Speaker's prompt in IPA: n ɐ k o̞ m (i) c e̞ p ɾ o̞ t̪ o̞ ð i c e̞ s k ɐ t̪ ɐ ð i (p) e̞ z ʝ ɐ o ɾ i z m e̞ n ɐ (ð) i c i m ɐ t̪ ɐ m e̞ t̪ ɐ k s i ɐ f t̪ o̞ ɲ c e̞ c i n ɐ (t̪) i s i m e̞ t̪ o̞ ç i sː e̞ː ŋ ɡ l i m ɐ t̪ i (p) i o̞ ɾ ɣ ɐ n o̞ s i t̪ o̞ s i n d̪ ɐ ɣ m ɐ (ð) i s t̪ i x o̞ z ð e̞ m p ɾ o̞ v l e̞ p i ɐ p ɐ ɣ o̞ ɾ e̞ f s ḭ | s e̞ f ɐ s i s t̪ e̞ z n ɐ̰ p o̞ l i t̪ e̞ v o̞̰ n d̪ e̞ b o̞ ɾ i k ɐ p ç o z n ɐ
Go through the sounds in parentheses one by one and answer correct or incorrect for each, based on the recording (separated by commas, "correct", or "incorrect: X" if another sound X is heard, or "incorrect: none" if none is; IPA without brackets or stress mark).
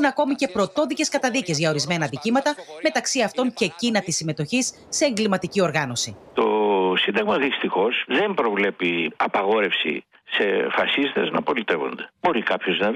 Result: correct, incorrect: c, correct, correct, incorrect: c, correct